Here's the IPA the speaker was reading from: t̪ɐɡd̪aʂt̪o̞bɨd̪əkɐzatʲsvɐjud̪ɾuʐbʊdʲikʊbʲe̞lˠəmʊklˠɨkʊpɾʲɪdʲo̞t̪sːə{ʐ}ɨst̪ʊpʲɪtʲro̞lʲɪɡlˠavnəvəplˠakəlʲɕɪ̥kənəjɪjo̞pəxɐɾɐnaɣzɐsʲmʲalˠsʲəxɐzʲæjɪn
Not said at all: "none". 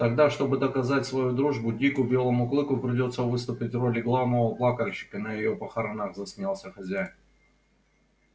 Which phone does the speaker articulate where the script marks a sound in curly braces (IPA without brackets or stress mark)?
v